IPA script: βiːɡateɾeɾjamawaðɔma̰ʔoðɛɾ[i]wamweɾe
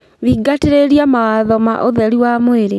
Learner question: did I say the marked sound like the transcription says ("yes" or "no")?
yes